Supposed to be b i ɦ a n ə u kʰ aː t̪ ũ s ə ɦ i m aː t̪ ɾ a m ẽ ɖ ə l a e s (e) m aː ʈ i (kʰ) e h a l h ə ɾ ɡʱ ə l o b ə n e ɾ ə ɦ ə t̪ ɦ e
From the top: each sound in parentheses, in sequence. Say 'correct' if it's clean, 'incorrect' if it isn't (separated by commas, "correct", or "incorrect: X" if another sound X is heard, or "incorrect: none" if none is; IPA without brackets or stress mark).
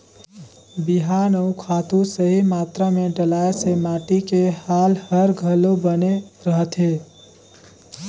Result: correct, incorrect: k